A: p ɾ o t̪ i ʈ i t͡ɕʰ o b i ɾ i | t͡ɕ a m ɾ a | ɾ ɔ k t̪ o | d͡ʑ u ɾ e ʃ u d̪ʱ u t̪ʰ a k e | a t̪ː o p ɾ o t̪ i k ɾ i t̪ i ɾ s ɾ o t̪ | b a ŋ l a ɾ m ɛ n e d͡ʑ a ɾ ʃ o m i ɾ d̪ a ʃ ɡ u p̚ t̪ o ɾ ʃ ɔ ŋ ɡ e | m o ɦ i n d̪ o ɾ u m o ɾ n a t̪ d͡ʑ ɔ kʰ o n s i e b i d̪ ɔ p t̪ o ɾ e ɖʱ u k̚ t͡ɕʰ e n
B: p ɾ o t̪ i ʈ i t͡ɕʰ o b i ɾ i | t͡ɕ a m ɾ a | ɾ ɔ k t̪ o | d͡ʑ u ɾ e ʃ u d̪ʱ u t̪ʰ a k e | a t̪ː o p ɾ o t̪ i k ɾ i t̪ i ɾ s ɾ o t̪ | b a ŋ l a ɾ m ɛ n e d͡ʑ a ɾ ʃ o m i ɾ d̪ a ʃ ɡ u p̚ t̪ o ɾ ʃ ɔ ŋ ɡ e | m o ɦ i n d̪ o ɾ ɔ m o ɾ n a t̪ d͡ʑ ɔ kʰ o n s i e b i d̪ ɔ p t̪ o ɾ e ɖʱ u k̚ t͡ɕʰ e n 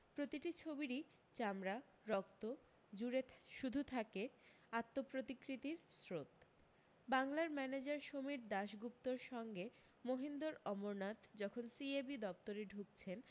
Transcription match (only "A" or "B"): B